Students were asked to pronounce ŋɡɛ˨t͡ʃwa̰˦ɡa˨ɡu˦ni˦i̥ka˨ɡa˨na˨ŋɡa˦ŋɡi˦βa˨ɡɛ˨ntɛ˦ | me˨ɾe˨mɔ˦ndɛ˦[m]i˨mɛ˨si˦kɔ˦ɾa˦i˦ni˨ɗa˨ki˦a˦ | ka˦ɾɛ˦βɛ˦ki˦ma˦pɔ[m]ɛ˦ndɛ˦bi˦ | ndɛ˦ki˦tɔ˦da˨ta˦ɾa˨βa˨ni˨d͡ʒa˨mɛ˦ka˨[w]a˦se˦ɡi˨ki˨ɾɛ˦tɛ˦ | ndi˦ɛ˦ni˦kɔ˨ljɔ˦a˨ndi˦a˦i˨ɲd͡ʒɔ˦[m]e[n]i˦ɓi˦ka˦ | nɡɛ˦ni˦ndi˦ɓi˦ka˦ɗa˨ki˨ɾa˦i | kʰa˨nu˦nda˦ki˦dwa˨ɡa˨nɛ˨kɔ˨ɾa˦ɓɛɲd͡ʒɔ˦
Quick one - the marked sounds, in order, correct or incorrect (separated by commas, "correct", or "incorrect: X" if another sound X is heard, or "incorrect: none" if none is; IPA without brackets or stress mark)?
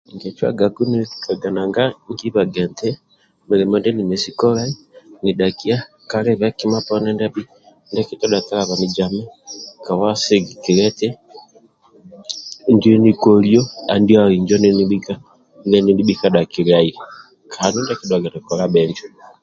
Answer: incorrect: n, incorrect: n, correct, incorrect: n, correct